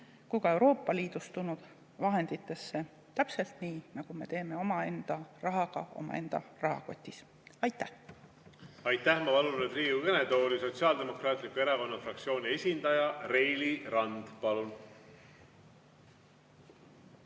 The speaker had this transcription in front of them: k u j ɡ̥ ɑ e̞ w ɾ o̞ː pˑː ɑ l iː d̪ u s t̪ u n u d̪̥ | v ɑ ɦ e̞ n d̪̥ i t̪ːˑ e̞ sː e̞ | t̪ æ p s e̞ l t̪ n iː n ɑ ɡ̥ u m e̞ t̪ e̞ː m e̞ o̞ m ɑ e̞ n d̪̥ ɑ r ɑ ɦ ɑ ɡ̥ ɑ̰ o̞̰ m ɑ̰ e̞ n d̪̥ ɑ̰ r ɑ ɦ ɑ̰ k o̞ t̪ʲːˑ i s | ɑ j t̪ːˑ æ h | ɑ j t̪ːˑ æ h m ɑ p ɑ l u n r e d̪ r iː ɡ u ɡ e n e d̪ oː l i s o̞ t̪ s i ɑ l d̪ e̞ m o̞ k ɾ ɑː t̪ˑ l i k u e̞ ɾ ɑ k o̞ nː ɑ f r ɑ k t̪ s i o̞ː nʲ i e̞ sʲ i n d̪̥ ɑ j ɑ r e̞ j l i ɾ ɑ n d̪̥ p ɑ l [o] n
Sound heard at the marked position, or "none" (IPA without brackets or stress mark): u